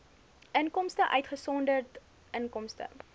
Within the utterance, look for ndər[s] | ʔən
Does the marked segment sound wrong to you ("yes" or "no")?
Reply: yes